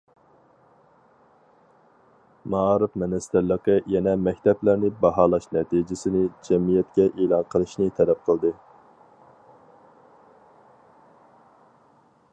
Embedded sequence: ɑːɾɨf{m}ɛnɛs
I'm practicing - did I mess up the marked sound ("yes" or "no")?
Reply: no